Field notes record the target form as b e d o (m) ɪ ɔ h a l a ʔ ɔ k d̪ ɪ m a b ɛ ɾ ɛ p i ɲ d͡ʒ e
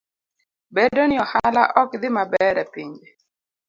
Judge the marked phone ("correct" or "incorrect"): incorrect